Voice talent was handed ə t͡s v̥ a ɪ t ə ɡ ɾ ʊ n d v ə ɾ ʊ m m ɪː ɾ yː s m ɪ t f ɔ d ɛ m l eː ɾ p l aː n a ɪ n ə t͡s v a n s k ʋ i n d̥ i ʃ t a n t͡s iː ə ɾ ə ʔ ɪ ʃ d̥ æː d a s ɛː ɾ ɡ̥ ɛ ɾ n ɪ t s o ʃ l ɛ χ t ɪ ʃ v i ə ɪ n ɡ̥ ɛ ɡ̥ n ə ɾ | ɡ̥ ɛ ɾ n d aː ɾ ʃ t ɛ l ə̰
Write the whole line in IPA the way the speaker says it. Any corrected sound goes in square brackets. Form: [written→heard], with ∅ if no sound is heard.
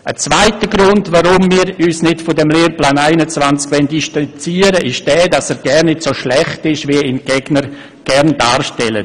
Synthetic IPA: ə t͡s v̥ a ɪ t ə ɡ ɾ ʊ n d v [ə→a] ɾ ʊ m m [ɪː→iː] ɾ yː s [m→n] ɪ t f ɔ d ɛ m l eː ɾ p l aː n a ɪ n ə t͡s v a n [s→t͡s] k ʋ [i→ɛ] n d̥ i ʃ t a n t͡s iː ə ɾ ə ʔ ɪ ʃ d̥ [æː→ɛː] d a s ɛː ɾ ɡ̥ ɛ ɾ n ɪ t s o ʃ l ɛ χ t ɪ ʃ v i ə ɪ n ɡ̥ ɛ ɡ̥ n ə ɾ | ɡ̥ ɛ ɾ n d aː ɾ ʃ t ɛ l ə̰

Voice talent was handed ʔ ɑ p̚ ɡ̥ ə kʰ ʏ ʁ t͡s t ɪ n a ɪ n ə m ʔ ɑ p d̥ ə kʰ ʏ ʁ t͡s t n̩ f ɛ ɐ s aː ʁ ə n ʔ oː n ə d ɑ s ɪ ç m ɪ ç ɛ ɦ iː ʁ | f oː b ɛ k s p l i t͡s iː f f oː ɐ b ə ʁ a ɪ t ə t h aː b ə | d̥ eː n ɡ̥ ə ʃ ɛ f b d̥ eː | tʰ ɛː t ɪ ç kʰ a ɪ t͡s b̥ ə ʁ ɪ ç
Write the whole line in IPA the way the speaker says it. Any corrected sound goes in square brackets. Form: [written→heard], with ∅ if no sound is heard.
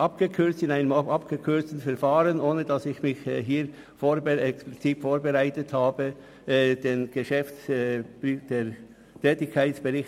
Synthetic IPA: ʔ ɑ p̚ ɡ̥ ə kʰ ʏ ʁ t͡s t ɪ n a ɪ n ə m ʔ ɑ p [d̥→ɡ̥] ə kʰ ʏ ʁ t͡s t n̩ f ɛ ɐ [s→f] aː ʁ ə n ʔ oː n ə d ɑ s ɪ ç m ɪ ç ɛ ɦ iː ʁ | f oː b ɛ k s p l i t͡s iː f f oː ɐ b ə ʁ a ɪ t ə t h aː b ə | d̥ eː n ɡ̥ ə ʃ ɛ f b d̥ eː | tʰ ɛː t ɪ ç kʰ a ɪ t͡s b̥ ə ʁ ɪ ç

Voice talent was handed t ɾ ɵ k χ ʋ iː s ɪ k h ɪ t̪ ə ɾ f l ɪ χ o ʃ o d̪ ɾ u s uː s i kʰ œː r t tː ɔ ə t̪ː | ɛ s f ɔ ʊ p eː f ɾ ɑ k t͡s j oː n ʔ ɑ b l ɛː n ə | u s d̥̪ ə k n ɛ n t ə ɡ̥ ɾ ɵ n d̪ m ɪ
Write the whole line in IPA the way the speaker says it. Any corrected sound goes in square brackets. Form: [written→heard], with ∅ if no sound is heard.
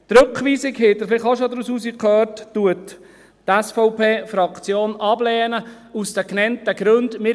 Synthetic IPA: t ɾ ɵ k χ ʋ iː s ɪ k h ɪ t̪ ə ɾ f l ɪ χ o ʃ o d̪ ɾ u s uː s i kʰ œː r t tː [ɔ→u] ə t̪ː | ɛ s f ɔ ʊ p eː f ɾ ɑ k t͡s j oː n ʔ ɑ b l ɛː n ə | u s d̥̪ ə k n ɛ n t ə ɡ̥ ɾ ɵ n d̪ m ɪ

